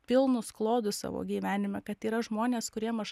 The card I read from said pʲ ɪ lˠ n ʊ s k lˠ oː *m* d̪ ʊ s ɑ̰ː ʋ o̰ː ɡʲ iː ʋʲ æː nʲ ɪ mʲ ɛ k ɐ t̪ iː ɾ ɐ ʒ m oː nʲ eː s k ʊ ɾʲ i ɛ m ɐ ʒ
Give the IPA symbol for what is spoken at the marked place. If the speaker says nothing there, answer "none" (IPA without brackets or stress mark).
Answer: none